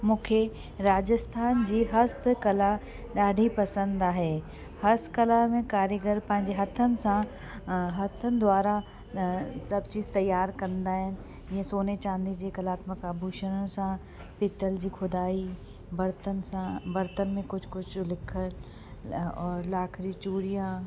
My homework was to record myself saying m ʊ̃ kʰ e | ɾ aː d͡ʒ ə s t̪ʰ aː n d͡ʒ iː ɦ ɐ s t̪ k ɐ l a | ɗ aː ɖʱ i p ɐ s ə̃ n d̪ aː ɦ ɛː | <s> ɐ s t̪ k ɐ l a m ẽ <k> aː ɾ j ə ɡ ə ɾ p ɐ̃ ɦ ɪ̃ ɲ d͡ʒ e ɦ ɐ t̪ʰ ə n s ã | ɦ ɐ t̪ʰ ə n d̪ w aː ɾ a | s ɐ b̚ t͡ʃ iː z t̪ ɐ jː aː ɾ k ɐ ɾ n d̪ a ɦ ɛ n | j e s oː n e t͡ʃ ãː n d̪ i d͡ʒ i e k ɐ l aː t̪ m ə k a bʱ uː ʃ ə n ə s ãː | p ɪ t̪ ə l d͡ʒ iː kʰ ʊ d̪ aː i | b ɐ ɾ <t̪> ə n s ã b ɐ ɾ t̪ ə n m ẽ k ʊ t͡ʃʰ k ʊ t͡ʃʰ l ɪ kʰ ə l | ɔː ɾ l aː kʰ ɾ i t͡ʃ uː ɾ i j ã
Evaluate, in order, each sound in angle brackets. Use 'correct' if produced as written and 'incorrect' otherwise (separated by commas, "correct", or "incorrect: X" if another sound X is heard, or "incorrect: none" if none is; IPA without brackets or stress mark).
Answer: incorrect: h, correct, correct